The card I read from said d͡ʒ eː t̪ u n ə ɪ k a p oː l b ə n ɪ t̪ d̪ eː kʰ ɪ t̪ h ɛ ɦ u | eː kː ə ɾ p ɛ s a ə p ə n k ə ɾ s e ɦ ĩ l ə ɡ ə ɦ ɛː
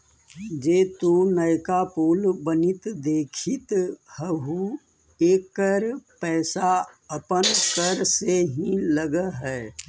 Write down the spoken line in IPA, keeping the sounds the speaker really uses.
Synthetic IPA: d͡ʒ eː t̪ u n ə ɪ k a p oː l b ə n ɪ t̪ d̪ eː kʰ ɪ t̪ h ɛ ɦ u | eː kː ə ɾ p ɛː s a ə p ə n k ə ɾ s e ɦ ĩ l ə ɡ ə ɦ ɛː